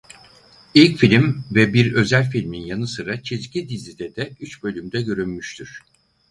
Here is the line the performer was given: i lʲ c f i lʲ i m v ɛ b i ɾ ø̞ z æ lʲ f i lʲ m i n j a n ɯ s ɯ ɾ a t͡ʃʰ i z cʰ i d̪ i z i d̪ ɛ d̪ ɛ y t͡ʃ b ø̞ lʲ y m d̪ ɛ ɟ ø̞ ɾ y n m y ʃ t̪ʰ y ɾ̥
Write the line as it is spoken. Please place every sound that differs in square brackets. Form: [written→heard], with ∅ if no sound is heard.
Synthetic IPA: i lʲ c f i lʲ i m v ɛ b i ɾ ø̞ z æ lʲ f i lʲ m i n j a n ɯ s ɯ ɾ a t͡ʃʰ i z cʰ i d̪ i z i d̪ ɛ d̪ ɛ y t͡ʃ b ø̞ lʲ y m d̪ ɛ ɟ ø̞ ɾ y n m y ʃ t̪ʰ y ɾ̥